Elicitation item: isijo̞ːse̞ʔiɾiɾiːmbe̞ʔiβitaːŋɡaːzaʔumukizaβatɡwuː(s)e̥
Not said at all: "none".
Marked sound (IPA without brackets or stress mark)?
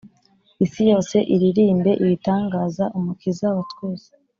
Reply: z